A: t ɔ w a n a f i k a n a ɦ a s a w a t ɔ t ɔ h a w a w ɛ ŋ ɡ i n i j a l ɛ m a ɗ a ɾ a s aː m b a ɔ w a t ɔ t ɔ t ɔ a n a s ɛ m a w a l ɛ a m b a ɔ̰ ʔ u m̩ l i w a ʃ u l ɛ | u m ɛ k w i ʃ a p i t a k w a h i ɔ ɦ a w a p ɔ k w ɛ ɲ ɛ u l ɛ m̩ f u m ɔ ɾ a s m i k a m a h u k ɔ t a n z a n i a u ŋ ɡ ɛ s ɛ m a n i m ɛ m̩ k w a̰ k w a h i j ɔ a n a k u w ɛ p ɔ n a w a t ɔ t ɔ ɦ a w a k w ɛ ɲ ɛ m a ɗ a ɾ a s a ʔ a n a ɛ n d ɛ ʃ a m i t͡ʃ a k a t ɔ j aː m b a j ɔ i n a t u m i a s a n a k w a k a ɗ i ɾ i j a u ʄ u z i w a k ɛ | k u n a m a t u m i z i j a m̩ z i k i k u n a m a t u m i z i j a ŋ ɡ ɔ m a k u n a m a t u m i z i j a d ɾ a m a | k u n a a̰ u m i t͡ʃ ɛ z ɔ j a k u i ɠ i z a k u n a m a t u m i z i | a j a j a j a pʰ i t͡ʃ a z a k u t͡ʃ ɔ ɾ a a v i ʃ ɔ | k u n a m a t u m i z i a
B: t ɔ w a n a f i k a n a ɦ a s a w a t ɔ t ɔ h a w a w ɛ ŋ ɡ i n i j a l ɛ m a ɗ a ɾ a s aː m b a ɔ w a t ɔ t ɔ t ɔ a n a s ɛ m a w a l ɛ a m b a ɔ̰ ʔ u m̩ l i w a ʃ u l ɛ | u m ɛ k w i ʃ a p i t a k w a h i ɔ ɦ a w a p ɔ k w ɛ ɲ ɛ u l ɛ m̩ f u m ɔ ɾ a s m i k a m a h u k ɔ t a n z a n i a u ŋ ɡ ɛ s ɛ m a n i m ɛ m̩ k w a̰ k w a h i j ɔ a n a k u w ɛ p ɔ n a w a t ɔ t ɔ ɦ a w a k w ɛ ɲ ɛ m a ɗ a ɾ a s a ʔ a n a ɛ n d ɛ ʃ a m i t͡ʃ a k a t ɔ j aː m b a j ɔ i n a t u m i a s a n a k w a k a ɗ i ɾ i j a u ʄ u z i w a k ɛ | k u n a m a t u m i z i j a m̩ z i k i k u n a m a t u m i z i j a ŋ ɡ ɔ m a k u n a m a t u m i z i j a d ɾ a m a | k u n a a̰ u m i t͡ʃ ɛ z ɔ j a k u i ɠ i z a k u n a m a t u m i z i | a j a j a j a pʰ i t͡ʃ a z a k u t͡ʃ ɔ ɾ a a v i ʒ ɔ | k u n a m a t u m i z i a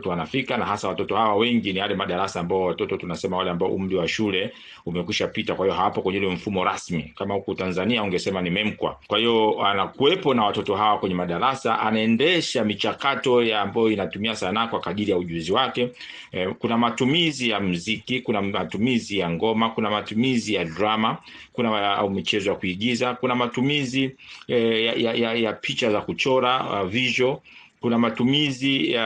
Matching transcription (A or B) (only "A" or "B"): B